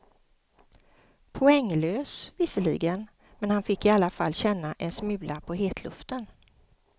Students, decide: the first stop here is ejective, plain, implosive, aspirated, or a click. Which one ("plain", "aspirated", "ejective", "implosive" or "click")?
aspirated